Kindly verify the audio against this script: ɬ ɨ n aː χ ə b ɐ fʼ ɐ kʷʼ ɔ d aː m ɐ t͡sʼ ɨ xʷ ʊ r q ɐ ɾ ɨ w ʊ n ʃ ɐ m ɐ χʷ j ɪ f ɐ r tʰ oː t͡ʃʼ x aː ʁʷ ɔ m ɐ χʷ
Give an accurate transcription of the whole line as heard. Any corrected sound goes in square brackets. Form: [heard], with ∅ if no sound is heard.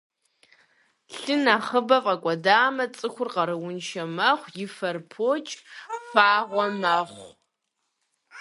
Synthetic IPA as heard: ɬ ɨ n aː χ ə b ɐ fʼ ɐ kʷʼ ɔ d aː m ɐ t͡sʼ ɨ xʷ ʊ r q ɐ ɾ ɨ w ʊ n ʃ ɐ m ɐ χʷ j ɪ f ɐ r [pʰ] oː t͡ʃʼ [f] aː ʁʷ ɔ m ɐ χʷ